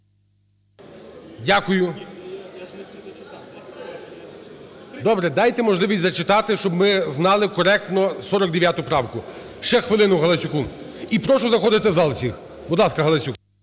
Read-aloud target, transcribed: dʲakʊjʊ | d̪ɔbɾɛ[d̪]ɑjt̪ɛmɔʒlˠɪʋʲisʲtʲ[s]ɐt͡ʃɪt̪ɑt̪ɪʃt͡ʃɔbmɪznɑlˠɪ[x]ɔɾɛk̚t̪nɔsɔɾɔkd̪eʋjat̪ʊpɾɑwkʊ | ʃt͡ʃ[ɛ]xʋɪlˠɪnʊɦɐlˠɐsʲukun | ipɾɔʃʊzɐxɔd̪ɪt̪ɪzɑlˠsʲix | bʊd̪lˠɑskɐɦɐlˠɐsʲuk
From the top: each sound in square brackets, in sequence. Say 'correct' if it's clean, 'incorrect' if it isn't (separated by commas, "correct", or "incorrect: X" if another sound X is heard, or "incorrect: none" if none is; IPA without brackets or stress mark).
correct, incorrect: z, incorrect: k, correct